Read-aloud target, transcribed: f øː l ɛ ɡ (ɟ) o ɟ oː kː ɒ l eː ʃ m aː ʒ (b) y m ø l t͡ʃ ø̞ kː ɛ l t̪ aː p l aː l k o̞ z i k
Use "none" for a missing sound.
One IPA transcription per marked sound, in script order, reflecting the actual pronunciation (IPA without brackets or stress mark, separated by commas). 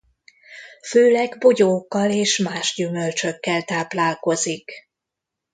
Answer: b, ɟ